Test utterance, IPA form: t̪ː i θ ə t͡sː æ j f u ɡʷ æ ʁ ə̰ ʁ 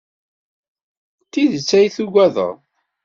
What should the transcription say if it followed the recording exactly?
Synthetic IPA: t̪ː i ð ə t͡sː æ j θ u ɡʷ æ ð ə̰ ʁ